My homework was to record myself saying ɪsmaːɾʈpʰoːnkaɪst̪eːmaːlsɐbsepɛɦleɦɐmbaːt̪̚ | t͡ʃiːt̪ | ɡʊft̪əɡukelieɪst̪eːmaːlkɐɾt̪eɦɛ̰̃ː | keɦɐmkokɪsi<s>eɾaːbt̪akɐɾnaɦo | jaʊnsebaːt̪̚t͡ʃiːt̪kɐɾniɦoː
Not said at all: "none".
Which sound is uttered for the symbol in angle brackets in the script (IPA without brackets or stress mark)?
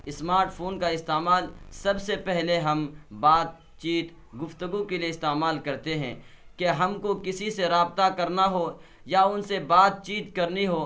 s